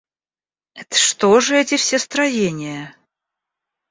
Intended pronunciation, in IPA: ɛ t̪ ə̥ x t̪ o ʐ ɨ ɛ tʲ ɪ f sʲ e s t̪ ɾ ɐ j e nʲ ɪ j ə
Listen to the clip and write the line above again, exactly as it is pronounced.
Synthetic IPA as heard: ɛ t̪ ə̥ ʂ t̪ o ʐ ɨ ɛ tʲ ɪ f sʲ e s t̪ ɾ ɐ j e nʲ ɪ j ə

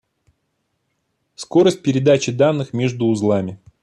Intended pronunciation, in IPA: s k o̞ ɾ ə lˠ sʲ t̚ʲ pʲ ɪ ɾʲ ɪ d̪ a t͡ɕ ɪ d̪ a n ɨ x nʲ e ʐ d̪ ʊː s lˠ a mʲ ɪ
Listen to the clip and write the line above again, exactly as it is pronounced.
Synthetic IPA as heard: s k o̞ ɾ ə sʲ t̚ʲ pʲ ɪ ɾʲ ɪ d̪ a t͡ɕ ɪ d̪ a nː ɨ x mʲ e ʐ d̪ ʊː z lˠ a mʲ ɪ

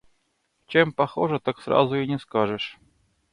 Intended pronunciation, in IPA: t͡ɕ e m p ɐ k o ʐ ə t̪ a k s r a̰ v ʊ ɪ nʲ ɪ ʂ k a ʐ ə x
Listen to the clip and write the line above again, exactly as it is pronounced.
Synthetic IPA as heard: t͡ɕ e m p ɐ x o ʐ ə t̪ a k s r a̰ z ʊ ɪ nʲ ɪ s k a ʐ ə ʂ

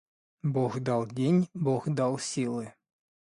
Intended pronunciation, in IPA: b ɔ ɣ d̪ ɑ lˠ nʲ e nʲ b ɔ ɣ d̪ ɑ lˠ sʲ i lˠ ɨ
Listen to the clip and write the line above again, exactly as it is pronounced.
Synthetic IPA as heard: b ɔ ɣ d̪ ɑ lˠ dʲ e nʲ b ɔ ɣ d̪ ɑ lˠ sʲ i lˠ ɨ

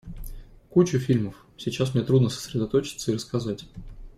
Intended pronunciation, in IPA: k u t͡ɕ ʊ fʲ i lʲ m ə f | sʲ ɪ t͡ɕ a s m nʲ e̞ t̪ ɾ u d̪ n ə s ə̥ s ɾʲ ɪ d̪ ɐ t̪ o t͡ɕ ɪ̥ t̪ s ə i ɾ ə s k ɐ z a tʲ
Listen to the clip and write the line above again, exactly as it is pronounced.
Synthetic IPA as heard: k u t͡ɕ ʊ fʲ i lʲ m ə f | sʲ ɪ t͡ɕ a s m nʲ e̞ t̪ ɾ u d̪ n ə s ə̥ s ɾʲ ɪ d̪ ɐ t̪ o t͡ɕ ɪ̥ t̪ s ə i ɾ ə s k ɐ z a tʲ

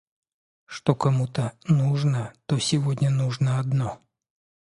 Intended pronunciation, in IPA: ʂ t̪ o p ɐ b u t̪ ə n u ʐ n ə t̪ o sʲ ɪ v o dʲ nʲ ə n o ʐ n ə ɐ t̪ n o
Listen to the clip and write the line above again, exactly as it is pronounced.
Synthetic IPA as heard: ʂ t̪ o k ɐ m u t̪ ə n u ʐ n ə t̪ o sʲ ɪ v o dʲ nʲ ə n u ʐ n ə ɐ d̪ n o

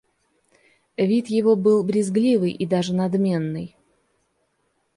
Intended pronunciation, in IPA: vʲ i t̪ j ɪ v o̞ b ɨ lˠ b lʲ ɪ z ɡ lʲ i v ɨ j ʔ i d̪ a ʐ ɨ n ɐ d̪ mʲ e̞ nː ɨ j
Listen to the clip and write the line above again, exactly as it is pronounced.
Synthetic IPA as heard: vʲ i t̪ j ɪ v o̞ b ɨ lˠ b ɾʲ ɪ z ɡ lʲ i v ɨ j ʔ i d̪ a ʐ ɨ n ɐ d̪ mʲ e̞ nː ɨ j

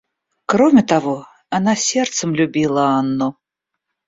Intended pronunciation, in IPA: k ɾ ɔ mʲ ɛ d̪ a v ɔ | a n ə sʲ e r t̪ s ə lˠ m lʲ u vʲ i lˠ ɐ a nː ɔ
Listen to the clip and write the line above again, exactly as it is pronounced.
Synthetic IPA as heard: k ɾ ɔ mʲ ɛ t̪ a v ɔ | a n a sʲ ɛ r t̪ s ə m lʲ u bʲ i lˠ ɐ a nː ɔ

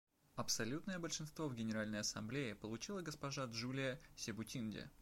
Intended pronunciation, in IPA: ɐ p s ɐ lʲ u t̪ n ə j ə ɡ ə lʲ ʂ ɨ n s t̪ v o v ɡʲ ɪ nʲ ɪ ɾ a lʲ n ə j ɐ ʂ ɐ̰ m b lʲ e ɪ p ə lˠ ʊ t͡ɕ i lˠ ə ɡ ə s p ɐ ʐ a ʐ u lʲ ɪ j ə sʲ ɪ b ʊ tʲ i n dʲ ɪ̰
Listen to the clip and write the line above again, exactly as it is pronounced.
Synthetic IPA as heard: ɐ p s ɐ lʲ u t̪ n ə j ə b ə lʲ ʂ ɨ n s t̪ v o v ɡʲ ɪ nʲ ɪ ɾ a lʲ n ə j ɐ s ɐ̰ m b lʲ e ɪ p ə lˠ ʊ t͡ɕ i lˠ ə ɡ ə s p ɐ ʐ a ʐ u lʲ ɪ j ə sʲ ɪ b ʊ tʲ i n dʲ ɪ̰

